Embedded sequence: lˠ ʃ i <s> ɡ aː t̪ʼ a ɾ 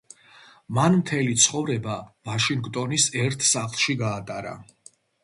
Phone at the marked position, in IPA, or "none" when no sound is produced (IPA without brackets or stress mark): none